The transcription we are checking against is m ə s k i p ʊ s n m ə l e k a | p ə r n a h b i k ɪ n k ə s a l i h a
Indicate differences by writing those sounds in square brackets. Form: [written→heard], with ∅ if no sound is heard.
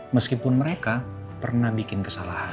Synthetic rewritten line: m ə s k i p ʊ [s→∅] n m ə [l→ɾ] e k a | p ə r n a h b i k ɪ n k ə s a l [i→a] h a